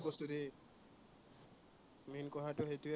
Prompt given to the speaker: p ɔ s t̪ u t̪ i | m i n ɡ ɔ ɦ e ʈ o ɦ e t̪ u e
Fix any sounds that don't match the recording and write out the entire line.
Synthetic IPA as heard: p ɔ s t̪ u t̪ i | m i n k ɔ ɦ a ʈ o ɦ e t̪ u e